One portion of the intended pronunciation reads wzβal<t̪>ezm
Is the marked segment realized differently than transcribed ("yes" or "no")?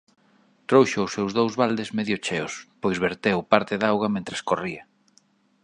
yes